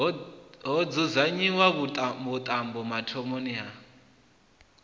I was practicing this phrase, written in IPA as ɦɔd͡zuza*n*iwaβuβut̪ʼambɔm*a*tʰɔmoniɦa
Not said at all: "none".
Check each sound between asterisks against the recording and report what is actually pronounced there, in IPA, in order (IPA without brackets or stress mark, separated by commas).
ɲ, a